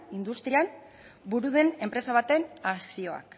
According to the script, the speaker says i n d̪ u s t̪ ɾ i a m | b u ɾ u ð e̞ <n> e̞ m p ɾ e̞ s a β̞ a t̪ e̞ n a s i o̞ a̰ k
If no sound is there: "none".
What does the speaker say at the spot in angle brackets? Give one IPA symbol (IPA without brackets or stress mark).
n